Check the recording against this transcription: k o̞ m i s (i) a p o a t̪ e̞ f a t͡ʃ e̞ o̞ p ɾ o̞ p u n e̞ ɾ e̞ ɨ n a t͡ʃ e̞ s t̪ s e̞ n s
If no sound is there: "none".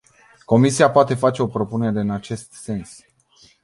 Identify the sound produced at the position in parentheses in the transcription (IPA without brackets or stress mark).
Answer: i